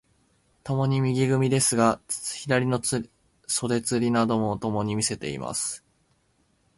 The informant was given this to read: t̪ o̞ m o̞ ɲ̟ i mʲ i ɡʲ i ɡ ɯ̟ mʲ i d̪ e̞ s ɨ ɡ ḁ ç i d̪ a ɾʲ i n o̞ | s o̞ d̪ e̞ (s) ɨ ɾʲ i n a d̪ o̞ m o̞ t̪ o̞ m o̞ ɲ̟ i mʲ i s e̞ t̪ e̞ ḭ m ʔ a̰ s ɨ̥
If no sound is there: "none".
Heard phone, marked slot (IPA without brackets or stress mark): t͡s